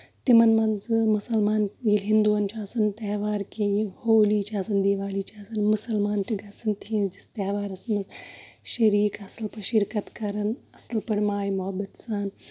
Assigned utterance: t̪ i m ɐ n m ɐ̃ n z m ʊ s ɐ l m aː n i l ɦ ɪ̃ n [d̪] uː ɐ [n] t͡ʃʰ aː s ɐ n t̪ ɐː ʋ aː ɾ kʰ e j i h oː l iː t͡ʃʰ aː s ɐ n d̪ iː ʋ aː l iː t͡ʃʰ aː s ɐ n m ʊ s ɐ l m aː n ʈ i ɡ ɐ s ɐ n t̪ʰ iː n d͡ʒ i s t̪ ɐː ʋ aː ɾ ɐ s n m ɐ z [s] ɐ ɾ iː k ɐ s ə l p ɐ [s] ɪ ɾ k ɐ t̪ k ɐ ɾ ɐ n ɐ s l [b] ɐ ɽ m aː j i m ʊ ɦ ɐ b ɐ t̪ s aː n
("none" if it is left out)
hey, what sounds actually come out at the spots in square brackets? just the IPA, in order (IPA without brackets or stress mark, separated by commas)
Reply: d̪, n, ʃ, ʃ, p